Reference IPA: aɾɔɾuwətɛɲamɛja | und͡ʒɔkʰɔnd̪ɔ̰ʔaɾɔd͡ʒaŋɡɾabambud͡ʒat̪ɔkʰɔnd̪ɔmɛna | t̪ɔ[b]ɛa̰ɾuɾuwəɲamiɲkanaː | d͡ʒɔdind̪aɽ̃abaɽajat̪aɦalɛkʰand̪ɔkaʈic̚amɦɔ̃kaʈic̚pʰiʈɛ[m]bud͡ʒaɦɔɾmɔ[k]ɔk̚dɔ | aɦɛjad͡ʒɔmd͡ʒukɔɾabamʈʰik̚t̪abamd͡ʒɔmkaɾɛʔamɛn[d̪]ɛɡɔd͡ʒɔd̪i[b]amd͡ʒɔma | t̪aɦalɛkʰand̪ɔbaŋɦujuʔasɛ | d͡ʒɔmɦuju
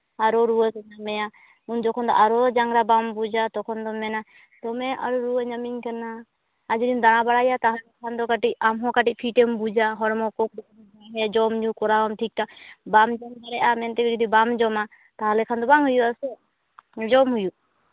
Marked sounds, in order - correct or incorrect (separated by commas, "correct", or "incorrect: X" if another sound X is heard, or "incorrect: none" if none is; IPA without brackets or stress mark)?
incorrect: m, correct, correct, incorrect: t̪, correct